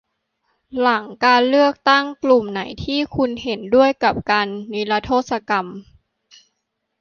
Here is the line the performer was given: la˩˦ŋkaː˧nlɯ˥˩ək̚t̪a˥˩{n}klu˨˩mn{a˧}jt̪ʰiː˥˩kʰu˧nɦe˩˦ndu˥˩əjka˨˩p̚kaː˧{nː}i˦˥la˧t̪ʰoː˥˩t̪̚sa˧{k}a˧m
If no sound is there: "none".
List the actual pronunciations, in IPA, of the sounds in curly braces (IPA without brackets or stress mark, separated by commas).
ŋ, a˩˦, nː, k